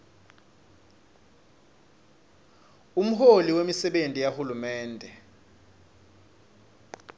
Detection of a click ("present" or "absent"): absent